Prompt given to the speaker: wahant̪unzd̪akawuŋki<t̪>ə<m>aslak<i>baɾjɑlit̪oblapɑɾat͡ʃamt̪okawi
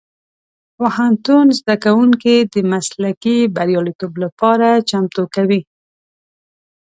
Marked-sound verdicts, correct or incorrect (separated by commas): incorrect, correct, correct